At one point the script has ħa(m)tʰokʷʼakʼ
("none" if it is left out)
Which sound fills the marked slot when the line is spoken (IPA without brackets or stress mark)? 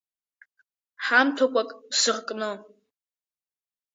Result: m